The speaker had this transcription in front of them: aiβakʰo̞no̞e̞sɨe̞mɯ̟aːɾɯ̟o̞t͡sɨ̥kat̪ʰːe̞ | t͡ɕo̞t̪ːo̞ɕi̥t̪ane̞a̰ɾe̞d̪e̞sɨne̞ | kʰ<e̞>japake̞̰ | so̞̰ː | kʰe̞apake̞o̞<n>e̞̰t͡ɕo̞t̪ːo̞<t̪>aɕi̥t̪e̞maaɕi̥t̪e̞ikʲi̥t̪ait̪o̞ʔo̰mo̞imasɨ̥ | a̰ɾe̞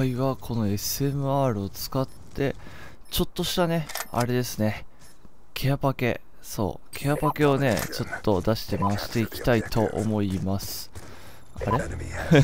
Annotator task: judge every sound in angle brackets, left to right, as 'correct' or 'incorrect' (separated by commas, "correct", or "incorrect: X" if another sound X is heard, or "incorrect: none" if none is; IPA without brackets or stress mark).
correct, correct, incorrect: d̪